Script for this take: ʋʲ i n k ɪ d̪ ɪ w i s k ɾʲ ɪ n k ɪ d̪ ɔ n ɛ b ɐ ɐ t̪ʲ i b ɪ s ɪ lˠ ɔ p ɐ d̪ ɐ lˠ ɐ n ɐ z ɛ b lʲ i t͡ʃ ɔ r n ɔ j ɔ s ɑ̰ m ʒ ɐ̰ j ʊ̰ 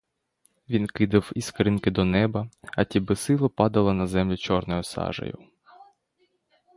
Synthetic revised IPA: ʋʲ i n k ɪ d̪ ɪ w i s k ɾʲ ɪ n k ɪ d̪ ɔ n ɛ b ɐ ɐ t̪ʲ i b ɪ s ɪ lˠ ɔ p ɑ d̪ ɐ lˠ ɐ n ɐ z ɛ m lʲ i t͡ʃ ɔ r n ɔ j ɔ s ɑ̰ ʒ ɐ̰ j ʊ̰